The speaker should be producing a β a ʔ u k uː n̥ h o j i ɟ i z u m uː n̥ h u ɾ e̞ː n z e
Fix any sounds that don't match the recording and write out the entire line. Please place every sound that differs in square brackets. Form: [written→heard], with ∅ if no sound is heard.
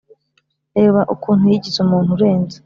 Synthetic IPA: [a→e] β a ʔ u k uː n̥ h [o→u] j i ɟ i z u m uː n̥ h u ɾ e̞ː n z e